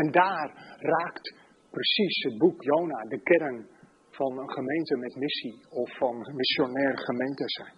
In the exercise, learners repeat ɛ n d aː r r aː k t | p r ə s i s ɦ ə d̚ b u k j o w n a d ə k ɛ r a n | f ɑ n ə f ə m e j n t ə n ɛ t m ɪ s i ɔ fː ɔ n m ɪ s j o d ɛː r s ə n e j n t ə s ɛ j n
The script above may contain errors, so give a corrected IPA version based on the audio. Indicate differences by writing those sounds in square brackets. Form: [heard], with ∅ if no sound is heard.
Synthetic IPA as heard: ɛ n d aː r r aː k t | p r ə s i s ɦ ə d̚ b u k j o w n a d ə k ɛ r [ə] n | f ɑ n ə [χ] ə m e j n t ə [m] ɛ t m ɪ s i ɔ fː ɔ n m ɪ s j o [n] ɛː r [χ] ə [m] e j n t ə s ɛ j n